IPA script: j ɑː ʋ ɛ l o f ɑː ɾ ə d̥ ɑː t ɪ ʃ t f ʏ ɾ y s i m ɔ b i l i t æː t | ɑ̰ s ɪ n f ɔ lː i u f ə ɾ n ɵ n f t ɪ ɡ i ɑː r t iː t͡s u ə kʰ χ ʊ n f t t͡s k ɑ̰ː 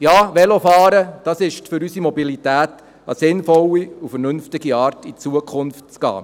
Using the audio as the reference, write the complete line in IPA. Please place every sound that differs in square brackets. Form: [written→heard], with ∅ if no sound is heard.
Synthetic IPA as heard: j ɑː ʋ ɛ l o f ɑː ɾ ə d̥ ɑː [t→s] ɪ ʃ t f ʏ ɾ y s i m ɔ b i l i t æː t | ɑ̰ s ɪ n f ɔ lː i u f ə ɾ n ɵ n f t ɪ ɡ i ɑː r t [iː→i] t͡s u ə kʰ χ ʊ n f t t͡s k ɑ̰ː

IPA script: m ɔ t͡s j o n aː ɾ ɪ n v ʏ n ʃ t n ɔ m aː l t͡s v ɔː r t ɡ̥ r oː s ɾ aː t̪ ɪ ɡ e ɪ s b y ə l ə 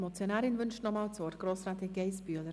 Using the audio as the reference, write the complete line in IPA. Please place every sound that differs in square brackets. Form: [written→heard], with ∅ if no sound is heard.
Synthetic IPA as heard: m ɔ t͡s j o n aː ɾ ɪ n v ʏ n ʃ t n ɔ m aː l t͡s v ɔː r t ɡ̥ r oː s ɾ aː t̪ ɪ ɡ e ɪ s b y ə l ə

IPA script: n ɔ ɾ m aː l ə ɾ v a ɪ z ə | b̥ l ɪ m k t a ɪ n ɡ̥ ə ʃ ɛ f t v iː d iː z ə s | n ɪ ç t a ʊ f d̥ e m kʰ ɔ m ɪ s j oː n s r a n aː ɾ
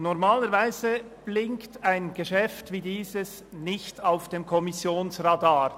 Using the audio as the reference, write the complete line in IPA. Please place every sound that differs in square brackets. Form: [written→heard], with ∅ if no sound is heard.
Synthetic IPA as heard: n ɔ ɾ m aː l ə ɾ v a ɪ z ə | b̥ l ɪ [m→ŋ] k t a ɪ n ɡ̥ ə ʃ ɛ f t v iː d iː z ə s | n ɪ ç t a ʊ f d̥ e m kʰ ɔ m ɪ s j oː n s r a [n→d] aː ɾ

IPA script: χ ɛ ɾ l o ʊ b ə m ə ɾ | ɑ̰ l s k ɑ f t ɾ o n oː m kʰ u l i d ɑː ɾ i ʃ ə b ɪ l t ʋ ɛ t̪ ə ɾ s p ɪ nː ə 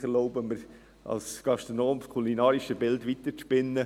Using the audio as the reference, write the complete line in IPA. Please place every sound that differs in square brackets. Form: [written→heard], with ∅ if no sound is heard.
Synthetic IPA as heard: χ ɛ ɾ l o ʊ b ə m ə ɾ | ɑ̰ l s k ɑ [f→ʃ] t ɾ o n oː m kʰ u l i [d→n] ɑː ɾ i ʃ ə b ɪ l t ʋ [ɛ→i] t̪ ə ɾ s p ɪ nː ə

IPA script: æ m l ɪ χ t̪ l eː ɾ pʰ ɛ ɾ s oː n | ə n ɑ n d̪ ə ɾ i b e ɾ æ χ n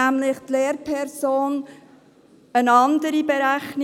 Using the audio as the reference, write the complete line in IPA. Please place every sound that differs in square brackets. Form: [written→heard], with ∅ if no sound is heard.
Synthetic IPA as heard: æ m l ɪ χ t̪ l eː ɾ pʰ ɛ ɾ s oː n | ə n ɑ n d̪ ə ɾ i b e ɾ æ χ n

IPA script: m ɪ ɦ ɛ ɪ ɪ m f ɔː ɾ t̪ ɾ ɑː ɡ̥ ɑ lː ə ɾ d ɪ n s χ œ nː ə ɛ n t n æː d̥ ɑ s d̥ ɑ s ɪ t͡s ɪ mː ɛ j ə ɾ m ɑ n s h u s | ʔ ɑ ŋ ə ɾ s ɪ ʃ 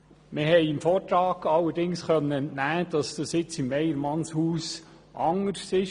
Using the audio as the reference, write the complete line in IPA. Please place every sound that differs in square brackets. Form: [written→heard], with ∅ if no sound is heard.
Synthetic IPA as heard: m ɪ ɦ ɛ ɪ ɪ m f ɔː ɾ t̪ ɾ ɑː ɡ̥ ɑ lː ə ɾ d ɪ [n→ŋ] s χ œ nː ə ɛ n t n æː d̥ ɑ s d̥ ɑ s ɪ t͡s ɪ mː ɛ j ə ɾ m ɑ n s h [u→uː] s | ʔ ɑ ŋ ə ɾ s ɪ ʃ

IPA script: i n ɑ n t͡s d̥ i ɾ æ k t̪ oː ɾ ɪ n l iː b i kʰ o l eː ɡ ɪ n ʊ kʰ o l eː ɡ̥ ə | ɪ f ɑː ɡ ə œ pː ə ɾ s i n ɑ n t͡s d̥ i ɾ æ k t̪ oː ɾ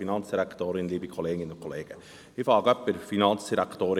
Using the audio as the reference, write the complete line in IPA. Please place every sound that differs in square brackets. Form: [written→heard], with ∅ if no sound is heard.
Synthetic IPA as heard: i n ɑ n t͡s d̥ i ɾ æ k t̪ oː ɾ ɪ n l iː b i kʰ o l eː ɡ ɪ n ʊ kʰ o l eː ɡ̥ ə | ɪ f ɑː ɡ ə œ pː ə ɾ [s→f] i n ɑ n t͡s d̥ i ɾ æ k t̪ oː ɾ

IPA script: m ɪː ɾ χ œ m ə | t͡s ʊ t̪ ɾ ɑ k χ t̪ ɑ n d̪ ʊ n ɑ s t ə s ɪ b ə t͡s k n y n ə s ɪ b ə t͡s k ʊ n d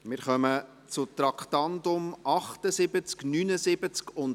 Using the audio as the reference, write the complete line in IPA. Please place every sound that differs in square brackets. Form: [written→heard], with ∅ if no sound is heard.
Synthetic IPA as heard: m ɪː ɾ χ œ m ə | t͡s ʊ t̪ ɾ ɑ k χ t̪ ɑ n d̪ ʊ [n→m] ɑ [s→χ] t ə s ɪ b ə t͡s k n y n ə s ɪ b ə t͡s k ʊ n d

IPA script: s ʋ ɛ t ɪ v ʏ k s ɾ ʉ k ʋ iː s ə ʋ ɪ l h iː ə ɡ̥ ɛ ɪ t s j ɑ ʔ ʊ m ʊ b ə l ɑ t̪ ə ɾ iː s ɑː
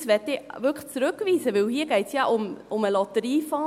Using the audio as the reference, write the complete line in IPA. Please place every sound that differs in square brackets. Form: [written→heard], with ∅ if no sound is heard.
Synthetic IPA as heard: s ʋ ɛ t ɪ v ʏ k [s→t͡s] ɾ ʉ k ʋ iː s ə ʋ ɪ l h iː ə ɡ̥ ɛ ɪ t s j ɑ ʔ ʊ m ʊ [b→m] ə l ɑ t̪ ə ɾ iː [s→f] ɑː

